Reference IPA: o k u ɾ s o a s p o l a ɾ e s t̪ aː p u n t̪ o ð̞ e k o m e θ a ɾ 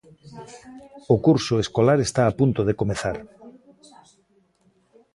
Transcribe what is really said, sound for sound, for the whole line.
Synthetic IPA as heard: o k u ɾ s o e s k o l a ɾ e s t̪ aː p u n t̪ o ð̞ e k o m e θ a ɾ